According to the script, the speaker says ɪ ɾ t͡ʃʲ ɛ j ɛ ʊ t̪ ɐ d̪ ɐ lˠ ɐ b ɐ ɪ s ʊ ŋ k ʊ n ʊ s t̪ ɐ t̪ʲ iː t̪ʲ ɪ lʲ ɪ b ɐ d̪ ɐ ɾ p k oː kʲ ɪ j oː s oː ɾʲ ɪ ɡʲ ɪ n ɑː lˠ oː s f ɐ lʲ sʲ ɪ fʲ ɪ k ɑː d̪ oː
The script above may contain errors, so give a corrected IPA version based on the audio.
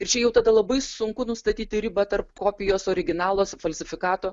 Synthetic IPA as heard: ɪ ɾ t͡ʃʲ ɛ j ɛ ʊ t̪ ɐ d̪ ɐ lˠ ɐ b ɐ ɪ s ʊ ŋ k ʊ n ʊ s t̪ ɐ t̪ʲ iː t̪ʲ ɪ ɾʲ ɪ b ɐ t̪ ɐ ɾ p k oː pʲ ɪ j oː s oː ɾʲ ɪ ɡʲ ɪ n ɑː lˠ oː s f ɐ lʲ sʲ ɪ fʲ ɪ k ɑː t̪ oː